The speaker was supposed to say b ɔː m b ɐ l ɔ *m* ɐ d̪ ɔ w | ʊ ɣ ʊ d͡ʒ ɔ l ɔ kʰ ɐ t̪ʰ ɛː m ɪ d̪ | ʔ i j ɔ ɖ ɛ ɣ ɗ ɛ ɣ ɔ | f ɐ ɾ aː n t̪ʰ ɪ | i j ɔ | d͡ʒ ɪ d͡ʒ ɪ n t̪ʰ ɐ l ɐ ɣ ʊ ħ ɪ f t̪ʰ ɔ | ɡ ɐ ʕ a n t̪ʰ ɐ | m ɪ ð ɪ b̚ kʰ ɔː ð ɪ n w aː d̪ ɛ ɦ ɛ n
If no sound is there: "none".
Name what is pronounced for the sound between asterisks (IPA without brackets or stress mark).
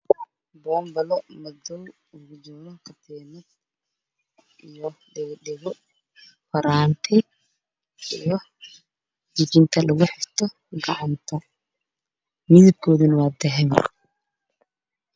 m